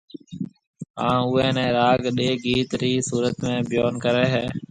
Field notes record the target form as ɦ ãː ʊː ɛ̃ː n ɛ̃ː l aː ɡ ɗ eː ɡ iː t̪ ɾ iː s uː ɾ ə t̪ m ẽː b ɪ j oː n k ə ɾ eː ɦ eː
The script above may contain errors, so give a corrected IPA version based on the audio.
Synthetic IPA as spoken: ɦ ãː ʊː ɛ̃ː n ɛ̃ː ɾ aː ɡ ɗ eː ɡ iː t̪ ɾ iː s uː ɾ ə t̪ m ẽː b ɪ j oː n k ə ɾ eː ɦ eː